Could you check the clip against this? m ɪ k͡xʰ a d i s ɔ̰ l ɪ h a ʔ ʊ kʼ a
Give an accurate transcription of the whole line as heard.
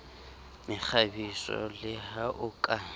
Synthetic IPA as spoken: m ɪ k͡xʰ a b i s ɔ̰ l ɪ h a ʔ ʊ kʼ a